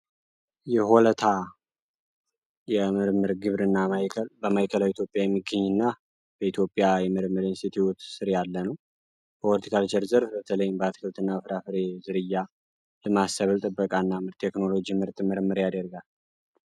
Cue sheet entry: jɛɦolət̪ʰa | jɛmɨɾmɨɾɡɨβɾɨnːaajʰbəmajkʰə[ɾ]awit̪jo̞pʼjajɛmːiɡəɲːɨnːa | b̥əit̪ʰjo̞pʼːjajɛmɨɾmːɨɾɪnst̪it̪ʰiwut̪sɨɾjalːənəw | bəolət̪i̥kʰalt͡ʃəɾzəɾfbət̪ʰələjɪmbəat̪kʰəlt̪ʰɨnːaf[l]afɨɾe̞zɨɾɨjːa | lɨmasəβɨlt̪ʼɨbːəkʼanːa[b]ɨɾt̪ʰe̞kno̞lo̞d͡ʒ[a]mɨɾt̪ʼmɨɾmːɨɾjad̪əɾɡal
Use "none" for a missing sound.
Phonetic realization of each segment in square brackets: l, ɾ, m, i

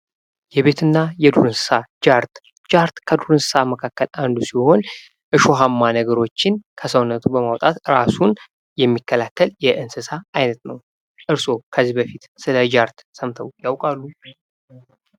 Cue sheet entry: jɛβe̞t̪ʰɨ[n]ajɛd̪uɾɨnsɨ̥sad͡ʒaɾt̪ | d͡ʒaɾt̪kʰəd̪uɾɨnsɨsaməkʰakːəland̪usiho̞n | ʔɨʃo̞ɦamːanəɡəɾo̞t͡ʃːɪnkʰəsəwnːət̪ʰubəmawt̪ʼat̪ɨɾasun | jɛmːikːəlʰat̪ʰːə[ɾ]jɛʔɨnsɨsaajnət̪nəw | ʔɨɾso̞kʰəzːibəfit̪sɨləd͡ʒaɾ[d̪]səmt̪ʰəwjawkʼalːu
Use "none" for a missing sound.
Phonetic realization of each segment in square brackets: nː, l, t̪

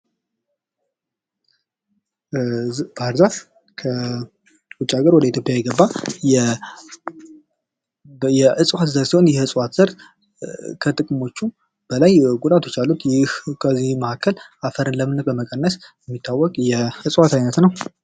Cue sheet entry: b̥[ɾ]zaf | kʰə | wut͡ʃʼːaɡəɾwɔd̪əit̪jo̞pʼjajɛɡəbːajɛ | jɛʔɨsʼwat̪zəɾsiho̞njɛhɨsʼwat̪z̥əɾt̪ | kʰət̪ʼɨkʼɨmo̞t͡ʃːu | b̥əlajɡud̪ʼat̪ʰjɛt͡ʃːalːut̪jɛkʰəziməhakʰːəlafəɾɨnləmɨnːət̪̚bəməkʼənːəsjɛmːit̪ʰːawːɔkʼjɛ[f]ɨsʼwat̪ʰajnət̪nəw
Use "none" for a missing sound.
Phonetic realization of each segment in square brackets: ɾ, h

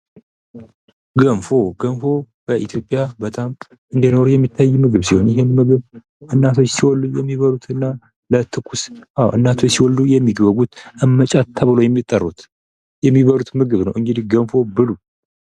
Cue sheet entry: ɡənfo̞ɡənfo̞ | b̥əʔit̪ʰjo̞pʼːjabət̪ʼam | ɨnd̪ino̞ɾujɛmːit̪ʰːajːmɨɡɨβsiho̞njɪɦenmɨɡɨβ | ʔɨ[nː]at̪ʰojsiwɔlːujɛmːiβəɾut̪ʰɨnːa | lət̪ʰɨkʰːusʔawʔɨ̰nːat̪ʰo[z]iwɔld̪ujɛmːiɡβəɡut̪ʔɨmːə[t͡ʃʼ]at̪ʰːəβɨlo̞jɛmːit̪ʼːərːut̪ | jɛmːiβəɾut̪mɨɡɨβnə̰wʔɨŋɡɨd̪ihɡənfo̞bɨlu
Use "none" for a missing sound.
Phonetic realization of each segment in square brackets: nː, s, t͡ʃʼ

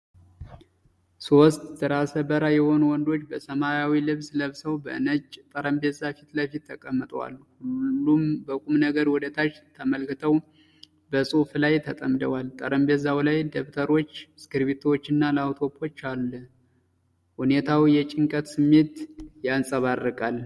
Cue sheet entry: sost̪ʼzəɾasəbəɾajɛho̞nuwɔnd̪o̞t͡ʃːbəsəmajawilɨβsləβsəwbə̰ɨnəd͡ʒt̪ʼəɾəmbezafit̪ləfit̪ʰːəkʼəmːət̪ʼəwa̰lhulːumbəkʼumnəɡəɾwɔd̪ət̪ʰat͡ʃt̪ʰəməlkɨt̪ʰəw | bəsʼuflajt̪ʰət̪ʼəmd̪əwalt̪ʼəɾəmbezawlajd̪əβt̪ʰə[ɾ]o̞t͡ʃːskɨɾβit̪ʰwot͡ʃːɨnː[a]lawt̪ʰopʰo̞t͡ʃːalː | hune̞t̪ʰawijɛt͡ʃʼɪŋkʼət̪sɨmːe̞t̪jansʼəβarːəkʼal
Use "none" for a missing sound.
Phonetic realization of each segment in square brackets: ɾ, a

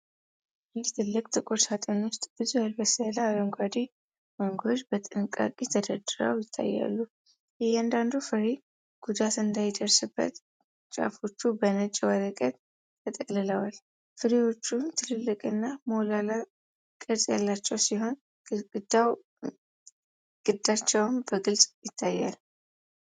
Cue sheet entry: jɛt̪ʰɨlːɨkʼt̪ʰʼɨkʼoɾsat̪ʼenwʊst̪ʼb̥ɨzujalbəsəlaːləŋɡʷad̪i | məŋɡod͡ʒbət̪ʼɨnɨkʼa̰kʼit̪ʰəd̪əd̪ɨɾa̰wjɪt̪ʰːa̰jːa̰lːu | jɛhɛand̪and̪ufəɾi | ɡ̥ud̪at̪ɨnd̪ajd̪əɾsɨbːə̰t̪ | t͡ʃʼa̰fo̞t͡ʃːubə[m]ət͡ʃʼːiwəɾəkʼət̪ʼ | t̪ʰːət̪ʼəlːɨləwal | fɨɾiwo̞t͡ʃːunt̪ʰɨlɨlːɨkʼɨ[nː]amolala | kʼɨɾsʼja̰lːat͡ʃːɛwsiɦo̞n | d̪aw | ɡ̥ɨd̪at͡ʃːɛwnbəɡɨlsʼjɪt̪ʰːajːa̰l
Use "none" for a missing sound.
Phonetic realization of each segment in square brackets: n, nː

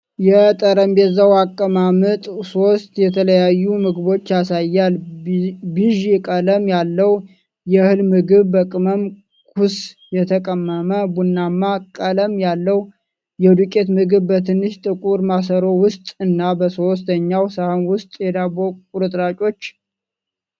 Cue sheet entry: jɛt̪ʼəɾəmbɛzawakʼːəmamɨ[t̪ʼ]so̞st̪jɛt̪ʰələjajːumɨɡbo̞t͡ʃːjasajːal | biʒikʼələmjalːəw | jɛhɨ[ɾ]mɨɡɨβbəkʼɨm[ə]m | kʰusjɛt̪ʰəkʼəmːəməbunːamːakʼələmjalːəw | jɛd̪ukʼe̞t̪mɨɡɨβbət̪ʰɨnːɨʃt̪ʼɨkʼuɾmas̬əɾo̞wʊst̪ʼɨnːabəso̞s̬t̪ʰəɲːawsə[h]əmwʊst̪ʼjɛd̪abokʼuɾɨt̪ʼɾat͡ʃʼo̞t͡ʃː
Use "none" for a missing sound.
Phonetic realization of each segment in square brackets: t̪ʼ, l, ə, h

